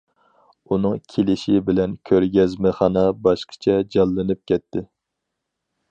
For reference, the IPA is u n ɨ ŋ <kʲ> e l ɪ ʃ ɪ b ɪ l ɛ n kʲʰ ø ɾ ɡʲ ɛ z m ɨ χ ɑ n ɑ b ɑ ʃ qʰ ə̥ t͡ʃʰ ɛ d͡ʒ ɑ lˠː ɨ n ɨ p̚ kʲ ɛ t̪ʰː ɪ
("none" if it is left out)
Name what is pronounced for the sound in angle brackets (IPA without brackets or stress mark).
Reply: kʲʰ